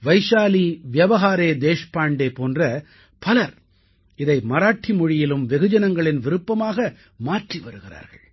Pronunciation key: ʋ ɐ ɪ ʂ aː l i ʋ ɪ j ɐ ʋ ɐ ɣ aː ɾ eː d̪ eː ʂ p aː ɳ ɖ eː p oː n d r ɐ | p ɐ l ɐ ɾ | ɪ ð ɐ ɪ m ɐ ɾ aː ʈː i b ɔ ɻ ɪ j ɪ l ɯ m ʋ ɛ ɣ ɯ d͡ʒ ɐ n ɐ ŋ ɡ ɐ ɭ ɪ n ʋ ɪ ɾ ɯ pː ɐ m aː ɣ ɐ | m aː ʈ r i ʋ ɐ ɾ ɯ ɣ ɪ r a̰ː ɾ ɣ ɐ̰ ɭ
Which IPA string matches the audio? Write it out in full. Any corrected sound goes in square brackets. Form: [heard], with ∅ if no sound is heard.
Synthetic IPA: ʋ ɐ ɪ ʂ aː l i ʋ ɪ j ɐ ʋ ɐ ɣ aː ɾ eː d̪ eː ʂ p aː ɳ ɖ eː p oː n d r ɐ | p ɐ l ɐ ɾ | ɪ ð ɐ ɪ m ɐ ɾ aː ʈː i [m] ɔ ɻ ɪ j ɪ l ɯ m ʋ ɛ ɣ ɯ d͡ʒ ɐ n ɐ ŋ ɡ ɐ ɭ ɪ n ʋ ɪ ɾ ɯ pː ɐ m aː ɣ ɐ | m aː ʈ r i ʋ ɐ ɾ ɯ ɣ ɪ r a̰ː ɾ ɣ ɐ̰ ɭ